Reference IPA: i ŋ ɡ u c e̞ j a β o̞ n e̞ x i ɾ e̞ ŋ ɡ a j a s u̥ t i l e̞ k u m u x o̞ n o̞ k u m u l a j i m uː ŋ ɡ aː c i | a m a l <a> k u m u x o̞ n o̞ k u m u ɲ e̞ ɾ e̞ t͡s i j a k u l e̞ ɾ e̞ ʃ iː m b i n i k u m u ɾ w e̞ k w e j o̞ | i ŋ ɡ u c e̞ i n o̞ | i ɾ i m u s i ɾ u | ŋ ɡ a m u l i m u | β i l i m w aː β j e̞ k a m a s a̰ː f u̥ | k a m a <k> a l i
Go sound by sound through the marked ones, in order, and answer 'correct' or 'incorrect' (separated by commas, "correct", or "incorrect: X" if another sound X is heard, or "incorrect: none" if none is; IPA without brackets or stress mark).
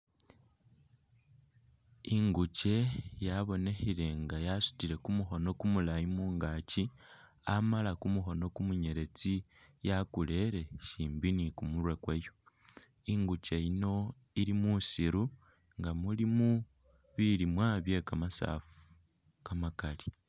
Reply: correct, correct